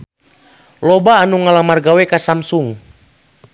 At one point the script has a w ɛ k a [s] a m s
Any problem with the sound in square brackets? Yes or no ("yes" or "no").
no